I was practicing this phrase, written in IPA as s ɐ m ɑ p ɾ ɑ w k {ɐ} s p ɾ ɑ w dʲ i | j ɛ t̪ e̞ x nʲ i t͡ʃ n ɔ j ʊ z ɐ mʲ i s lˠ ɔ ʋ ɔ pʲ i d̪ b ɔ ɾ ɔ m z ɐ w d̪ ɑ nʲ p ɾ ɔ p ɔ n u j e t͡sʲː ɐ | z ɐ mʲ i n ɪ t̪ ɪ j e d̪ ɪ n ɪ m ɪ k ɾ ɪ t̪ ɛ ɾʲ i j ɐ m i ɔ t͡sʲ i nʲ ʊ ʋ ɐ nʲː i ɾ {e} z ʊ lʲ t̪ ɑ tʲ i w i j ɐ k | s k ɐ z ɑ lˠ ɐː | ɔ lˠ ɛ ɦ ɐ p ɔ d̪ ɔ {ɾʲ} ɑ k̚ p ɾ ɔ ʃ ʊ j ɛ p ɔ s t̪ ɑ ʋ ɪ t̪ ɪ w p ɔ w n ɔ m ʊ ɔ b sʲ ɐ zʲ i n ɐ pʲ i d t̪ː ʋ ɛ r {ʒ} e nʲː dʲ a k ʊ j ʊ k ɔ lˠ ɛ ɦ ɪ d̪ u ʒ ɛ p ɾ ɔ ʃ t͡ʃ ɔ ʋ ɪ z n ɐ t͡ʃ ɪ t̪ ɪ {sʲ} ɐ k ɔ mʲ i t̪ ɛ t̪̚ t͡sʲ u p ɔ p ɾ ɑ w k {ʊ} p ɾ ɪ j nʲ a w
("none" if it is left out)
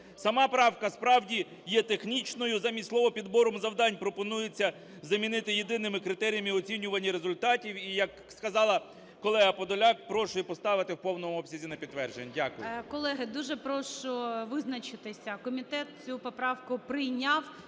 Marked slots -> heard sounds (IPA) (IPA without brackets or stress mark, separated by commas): ɐ, e, lʲ, ʒ, sʲ, ʊ